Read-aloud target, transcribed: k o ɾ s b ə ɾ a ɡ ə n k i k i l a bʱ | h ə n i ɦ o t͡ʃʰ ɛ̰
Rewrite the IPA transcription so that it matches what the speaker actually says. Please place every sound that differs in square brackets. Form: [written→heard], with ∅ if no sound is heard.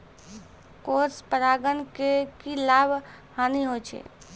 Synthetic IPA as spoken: k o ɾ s [b→p] ə ɾ a ɡ ə n k [i→e] k i l a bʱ | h [ə→a] n i ɦ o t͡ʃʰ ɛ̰